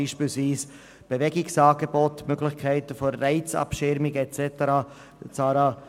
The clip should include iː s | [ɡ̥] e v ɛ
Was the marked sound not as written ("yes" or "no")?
yes